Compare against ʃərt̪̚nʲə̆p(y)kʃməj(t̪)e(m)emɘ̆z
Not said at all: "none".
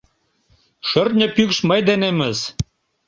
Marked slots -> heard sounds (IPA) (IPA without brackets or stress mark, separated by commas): y, d̪, n